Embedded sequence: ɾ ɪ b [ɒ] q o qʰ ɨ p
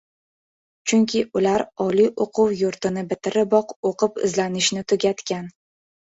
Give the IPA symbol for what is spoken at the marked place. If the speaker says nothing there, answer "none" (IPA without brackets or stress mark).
ɒ